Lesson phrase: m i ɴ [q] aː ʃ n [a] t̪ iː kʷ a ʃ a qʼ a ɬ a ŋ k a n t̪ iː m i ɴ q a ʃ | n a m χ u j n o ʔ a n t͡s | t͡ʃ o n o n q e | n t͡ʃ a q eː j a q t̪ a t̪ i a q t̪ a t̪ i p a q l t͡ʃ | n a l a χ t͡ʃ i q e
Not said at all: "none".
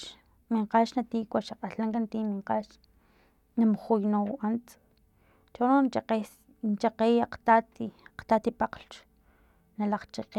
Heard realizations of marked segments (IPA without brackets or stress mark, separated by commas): q, a